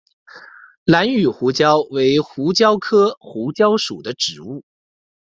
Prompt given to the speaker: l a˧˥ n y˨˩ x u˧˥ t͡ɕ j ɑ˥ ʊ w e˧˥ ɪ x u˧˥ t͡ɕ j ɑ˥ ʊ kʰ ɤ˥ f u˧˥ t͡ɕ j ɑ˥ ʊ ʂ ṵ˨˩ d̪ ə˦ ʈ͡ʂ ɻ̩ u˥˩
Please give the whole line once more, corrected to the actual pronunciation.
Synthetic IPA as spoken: l a˧˥ n y˨˩ x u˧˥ t͡ɕ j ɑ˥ ʊ w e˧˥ ɪ x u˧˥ t͡ɕ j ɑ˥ ʊ kʰ ɤ˥ x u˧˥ t͡ɕ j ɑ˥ ʊ ʂ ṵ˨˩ d̪ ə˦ ʈ͡ʂ ɻ̩ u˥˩

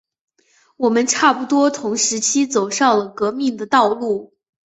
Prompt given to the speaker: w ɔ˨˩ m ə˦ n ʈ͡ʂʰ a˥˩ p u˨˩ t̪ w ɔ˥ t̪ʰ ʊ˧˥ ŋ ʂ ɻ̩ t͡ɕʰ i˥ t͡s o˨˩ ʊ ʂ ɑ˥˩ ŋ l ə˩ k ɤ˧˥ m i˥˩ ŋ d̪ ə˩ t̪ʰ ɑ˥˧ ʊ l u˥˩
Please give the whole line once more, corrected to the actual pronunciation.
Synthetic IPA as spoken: w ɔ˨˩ m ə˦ n ʈ͡ʂʰ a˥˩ p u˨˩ t̪ w ɔ˥ t̪ʰ ʊ˧˥ ŋ ʂ ɻ̩ t͡ɕʰ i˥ t͡s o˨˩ ʊ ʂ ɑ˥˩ ŋ l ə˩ k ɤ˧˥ m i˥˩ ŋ d̪ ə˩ t̪ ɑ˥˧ ʊ l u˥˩

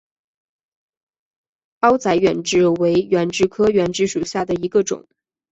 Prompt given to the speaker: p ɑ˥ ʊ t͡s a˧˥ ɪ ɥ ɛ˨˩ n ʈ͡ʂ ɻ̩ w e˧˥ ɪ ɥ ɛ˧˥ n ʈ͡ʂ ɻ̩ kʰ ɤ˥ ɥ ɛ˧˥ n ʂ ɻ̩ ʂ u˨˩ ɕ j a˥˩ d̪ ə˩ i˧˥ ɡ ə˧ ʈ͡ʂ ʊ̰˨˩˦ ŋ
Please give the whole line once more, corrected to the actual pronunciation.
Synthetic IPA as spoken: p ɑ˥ ʊ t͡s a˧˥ ɪ ɥ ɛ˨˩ n ʈ͡ʂ ɻ̩ w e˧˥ ɪ ɥ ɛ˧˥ n ʈ͡ʂ ɻ̩ kʰ ɤ˥ ɥ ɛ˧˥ n ʈ͡ʂ ɻ̩ ʂ u˨˩ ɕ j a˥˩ d̪ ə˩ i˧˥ ɡ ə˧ ʈ͡ʂ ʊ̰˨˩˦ ŋ

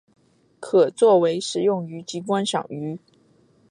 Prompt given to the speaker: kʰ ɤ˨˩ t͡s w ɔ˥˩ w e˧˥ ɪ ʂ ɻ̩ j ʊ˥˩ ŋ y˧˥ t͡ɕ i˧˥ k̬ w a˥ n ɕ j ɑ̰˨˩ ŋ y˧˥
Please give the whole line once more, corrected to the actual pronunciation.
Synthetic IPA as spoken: kʰ ɤ˨˩ t͡s w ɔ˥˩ w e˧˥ ɪ ʂ ɻ̩ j ʊ˥˩ ŋ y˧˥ t͡ɕ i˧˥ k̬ w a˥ n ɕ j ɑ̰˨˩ ŋ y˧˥

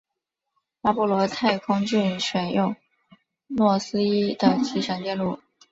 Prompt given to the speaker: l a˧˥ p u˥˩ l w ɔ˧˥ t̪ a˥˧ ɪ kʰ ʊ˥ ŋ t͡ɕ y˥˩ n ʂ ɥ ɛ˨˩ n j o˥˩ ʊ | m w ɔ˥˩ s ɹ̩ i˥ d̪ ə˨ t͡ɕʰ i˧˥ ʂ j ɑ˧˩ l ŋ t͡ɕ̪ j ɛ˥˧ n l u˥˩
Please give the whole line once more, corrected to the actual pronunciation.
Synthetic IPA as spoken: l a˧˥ p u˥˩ l w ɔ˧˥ t̪ʰ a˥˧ ɪ kʰ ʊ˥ ŋ t͡ɕ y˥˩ n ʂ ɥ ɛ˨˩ n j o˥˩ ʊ | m w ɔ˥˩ s ɹ̩ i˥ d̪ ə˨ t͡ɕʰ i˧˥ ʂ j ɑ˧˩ ŋ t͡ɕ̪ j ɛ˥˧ n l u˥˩

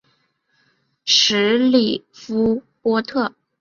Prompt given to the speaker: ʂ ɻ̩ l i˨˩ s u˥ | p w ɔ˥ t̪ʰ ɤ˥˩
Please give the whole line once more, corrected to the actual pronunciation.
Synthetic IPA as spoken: ʂ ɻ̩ l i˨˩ f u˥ | p w ɔ˥ t̪ʰ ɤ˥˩

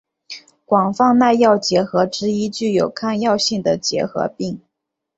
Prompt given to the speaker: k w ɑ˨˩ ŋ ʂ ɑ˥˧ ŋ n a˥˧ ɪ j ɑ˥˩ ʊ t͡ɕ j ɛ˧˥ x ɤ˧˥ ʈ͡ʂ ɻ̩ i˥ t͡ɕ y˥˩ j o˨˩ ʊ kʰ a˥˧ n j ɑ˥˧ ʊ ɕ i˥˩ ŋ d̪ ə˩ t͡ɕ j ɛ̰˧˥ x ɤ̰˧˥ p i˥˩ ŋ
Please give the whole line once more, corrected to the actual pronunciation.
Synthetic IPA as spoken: k w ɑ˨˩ ŋ f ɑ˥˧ ŋ n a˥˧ ɪ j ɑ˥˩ ʊ t͡ɕ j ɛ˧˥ x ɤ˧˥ ʈ͡ʂ ɻ̩ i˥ t͡ɕ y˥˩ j o˨˩ ʊ kʰ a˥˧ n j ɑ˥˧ ʊ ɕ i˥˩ ŋ d̪ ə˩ t͡ɕ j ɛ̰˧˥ x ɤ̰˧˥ p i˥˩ ŋ

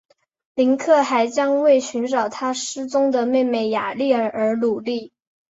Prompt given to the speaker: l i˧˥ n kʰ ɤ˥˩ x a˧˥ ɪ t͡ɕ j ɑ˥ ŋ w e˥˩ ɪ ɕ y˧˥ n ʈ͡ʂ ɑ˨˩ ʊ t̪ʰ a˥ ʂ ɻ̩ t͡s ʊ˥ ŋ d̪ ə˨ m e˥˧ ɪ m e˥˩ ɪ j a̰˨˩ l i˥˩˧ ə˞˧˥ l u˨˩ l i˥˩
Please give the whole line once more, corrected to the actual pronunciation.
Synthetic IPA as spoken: l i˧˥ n kʰ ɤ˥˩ x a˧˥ ɪ t͡ɕ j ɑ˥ ŋ w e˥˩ ɪ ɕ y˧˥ n ʈ͡ʂ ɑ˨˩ ʊ t̪ʰ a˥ ʂ ɻ̩ t͡s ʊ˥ ŋ d̪ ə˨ m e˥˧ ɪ m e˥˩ ɪ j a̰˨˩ l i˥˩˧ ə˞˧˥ l u˨˩ l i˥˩

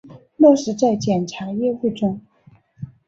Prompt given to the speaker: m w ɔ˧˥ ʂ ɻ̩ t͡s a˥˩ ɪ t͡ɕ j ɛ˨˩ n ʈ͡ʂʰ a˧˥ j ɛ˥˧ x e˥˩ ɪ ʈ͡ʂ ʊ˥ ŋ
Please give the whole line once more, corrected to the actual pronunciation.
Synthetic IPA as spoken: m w ɔ˥˩ ʂ ɻ̩ t͡s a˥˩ ɪ t͡ɕ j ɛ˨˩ n ʈ͡ʂʰ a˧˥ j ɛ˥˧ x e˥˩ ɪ ʈ͡ʂ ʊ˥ ŋ

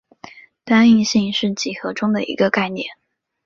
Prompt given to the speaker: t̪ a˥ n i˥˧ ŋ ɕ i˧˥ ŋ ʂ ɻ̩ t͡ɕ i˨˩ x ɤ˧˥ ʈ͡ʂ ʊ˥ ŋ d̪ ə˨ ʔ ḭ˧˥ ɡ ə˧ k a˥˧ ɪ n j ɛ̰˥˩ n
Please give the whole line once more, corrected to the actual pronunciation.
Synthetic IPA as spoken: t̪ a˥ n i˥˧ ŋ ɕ i˥˧ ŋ ʂ ɻ̩ t͡ɕ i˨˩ x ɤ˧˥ ʈ͡ʂ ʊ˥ ŋ d̪ ə˨ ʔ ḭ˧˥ ɡ ə˧ k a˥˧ ɪ n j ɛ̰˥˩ n

